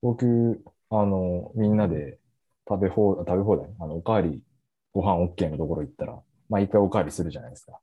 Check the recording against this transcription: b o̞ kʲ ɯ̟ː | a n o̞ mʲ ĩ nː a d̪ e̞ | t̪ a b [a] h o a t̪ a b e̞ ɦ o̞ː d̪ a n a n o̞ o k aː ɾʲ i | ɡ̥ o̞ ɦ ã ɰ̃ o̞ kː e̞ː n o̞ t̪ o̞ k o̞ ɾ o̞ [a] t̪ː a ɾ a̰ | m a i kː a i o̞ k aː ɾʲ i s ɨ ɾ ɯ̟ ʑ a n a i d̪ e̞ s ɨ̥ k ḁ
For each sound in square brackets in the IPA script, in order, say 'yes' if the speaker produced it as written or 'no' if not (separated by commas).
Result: no, no